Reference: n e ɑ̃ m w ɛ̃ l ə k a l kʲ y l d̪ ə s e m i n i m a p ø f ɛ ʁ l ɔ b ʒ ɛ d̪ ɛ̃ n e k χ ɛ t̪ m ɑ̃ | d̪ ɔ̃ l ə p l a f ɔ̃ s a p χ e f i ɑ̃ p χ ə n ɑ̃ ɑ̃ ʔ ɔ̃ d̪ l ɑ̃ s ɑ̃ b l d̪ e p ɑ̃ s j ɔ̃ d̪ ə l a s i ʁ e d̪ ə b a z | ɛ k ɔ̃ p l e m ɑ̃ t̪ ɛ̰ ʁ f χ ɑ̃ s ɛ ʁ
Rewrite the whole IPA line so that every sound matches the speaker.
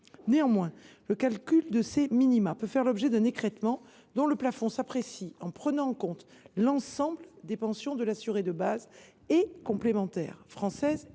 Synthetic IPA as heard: n e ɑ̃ m w ɛ̃ l ə k a l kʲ y l d̪ ə s e m i n i m a p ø f ɛ ʁ l ɔ b ʒ ɛ d̪ ɛ̃ n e k χ ɛ t̪ m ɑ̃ | d̪ ɔ̃ l ə p l a f ɔ̃ s a p χ e s i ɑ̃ p χ ə n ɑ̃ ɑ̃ k ɔ̃ t̪ l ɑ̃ s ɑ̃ b l d̪ e p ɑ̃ s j ɔ̃ d̪ ə l a s y ʁ e d̪ ə b a z | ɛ k ɔ̃ p l e m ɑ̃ t̪ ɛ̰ ʁ f χ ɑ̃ s ɛ z